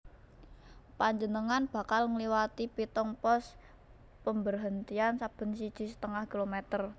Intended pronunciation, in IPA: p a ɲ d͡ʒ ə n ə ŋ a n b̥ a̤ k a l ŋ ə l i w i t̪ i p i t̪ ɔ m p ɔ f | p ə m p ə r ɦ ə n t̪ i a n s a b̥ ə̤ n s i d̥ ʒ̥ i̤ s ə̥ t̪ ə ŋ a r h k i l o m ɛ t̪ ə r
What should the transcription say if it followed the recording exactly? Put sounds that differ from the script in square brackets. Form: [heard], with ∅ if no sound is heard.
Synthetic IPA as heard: p a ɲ d͡ʒ ə n ə ŋ a n b̥ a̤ k a l ŋ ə l i w [a] t̪ i p i t̪ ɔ [ŋ] p ɔ [s] | p ə m [b] ə r ɦ ə n t̪ i a n s a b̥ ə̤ n s i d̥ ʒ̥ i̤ s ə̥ t̪ ə ŋ a [∅] h k i l o m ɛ t̪ ə r